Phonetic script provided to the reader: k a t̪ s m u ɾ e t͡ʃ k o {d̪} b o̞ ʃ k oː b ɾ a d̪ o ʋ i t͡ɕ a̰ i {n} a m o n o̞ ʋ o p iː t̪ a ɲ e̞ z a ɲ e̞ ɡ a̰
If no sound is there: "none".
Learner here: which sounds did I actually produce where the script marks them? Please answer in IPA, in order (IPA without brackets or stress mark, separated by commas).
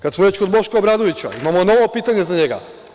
d̪, m